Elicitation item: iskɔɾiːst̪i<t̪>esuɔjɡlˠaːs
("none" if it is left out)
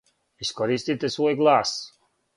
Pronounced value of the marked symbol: t̪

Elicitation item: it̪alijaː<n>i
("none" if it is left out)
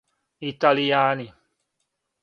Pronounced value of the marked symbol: n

